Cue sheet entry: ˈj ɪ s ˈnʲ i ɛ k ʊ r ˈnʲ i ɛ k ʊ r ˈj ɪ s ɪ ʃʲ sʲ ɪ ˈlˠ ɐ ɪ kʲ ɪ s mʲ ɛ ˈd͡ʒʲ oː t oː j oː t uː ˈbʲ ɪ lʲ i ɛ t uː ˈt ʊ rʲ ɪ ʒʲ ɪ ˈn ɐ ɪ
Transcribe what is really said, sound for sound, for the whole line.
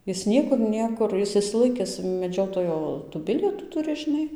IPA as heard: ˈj ɪ s ˈnʲ i ɛ k ʊ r ˈnʲ i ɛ k ʊ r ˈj ɪ s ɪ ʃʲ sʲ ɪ ˈlˠ ɐ ɪ kʲ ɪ s mʲ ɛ ˈd͡ʒʲ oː t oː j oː t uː ˈbʲ ɪ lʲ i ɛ t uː ˈt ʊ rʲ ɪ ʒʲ ɪ ˈn ɐ ɪ